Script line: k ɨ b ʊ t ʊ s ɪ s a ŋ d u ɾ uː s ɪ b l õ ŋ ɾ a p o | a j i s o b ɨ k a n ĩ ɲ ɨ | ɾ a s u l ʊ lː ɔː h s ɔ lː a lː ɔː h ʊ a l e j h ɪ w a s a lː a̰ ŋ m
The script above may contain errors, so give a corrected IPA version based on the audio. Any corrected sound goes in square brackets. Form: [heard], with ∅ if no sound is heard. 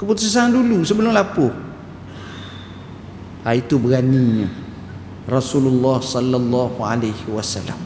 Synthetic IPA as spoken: k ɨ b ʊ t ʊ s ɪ s a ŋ d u [l] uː s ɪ b l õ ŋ [l] a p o | a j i [t] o b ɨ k a n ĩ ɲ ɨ | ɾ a s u l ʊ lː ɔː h s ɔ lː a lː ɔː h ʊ a l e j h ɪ w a s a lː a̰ [∅] m